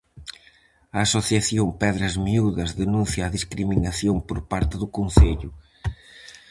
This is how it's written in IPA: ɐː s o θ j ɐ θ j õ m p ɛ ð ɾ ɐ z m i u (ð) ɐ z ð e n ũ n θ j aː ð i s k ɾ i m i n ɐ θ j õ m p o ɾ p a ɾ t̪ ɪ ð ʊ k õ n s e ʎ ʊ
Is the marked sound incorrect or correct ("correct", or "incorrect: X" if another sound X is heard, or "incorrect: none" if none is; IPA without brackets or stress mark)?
correct